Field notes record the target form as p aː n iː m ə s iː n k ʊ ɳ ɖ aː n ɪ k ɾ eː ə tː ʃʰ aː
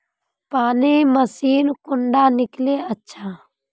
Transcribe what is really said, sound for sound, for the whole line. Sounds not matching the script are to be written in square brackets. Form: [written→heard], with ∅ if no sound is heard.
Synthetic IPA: p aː n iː m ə s iː n k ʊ ɳ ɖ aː n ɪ k [ɾ→l] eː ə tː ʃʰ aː